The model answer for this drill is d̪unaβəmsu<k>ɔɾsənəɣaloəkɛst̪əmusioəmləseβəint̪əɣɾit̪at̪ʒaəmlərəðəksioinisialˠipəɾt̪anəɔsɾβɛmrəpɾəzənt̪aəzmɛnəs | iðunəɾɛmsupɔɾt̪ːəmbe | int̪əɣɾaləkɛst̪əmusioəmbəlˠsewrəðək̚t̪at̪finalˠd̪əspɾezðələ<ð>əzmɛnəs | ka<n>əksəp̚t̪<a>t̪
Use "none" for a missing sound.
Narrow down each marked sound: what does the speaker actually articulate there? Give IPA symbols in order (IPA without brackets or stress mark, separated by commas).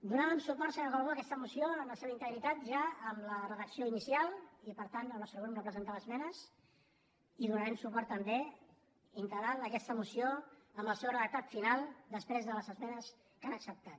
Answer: p, z, n, a